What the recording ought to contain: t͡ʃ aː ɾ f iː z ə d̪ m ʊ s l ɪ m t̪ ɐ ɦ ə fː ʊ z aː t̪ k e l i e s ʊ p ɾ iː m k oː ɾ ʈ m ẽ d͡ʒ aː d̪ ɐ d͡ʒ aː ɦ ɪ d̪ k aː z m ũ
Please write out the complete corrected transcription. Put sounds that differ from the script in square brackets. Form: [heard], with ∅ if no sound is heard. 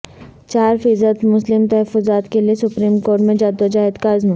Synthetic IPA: t͡ʃ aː ɾ f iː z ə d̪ m ʊ s l ɪ m t̪ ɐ ɦ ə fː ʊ z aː t̪ k e l i e s ʊ p ɾ iː m k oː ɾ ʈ m ẽ d͡ʒ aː d̪ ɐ d͡ʒ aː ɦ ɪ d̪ k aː z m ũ